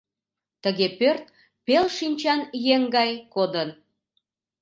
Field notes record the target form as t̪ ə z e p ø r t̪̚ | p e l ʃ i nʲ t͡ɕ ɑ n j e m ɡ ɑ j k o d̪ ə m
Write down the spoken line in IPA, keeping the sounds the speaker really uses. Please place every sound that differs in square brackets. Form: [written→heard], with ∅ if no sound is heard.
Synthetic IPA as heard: t̪ ə [z→ɣ] e p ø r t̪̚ | p e l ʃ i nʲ t͡ɕ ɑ n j e [m→ŋ] ɡ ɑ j k o d̪ ə [m→n]